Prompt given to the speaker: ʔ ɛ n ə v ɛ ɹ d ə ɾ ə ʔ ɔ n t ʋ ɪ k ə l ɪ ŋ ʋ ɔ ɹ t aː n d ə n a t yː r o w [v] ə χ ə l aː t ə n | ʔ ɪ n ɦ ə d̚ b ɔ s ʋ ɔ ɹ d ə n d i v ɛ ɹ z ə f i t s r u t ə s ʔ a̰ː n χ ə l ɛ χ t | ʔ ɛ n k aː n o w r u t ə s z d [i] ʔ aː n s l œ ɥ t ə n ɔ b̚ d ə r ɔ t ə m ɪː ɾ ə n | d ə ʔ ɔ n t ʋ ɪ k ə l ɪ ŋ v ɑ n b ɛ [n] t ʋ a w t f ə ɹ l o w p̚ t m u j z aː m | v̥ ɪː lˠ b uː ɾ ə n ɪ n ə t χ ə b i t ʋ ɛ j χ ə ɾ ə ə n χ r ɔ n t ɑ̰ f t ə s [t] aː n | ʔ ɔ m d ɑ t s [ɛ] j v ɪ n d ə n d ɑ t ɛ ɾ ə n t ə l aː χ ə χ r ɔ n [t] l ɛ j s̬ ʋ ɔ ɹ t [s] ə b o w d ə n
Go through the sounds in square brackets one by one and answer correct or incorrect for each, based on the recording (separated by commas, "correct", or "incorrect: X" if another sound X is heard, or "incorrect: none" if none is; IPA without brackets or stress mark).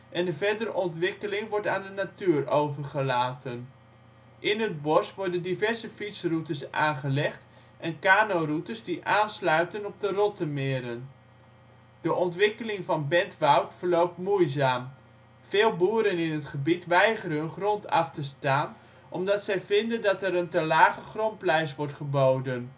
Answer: correct, correct, correct, correct, correct, incorrect: p, incorrect: χ